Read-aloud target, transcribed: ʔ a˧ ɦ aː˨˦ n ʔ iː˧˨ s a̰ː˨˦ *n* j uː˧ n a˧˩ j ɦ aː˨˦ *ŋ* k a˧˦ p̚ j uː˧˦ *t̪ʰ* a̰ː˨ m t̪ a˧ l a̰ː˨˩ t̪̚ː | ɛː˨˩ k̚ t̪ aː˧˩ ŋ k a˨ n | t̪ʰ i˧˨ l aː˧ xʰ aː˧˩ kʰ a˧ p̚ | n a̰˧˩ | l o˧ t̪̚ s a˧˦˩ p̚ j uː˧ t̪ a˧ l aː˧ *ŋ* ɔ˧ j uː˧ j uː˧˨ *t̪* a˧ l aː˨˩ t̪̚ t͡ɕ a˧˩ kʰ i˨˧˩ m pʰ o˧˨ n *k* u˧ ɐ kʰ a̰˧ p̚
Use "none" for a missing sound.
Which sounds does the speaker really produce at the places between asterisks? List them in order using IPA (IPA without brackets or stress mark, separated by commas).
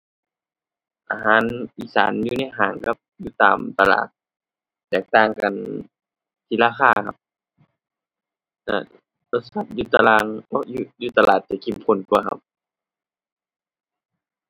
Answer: n, ŋ, t̪, ŋ, t̪, k